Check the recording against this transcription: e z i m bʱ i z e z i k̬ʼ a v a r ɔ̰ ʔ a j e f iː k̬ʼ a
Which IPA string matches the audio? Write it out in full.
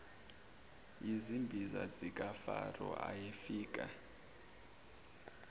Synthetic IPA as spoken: i z i m bʱ i z a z i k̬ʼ a f a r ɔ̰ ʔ a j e f iː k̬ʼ a